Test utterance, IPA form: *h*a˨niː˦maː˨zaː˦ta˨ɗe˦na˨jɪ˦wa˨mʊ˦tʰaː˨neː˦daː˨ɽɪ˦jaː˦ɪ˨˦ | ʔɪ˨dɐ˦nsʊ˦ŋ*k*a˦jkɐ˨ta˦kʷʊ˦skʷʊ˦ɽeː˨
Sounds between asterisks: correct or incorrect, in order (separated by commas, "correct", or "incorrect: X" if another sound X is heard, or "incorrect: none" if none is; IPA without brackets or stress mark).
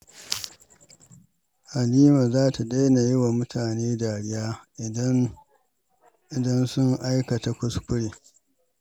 correct, incorrect: ʔ